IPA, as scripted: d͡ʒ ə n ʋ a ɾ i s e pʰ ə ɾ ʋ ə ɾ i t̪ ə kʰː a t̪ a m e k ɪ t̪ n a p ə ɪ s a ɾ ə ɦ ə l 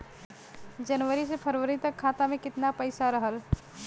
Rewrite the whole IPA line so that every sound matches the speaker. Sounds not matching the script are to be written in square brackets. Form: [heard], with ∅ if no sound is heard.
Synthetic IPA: d͡ʒ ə n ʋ [ə] ɾ i s e pʰ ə ɾ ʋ ə ɾ i t̪ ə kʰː a t̪ a m e k ɪ t̪ n a p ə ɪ s a ɾ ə ɦ ə l